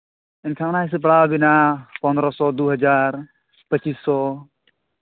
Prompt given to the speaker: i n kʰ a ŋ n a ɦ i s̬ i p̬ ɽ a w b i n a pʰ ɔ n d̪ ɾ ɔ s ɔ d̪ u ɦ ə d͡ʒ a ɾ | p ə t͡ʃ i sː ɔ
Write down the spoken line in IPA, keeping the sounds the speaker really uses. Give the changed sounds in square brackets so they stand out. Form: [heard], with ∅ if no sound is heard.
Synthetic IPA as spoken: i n kʰ a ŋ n a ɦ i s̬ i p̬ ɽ a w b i n a [p] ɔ n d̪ ɾ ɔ s ɔ d̪ u ɦ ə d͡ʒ a ɾ | p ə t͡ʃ i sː ɔ